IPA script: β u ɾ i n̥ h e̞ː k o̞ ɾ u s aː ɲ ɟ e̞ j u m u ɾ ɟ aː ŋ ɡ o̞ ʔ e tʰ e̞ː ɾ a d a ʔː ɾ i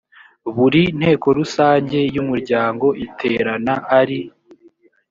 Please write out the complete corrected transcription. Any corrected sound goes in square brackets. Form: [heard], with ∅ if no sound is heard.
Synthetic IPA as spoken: β u ɾ i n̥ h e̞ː k o̞ ɾ u s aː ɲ ɟ e̞ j u m u ɾ ɟ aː ŋ ɡ o̞ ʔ [i] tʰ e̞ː ɾ a [n] a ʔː ɾ i